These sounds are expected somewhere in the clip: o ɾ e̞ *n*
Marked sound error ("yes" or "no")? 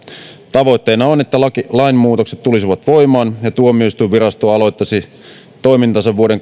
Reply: yes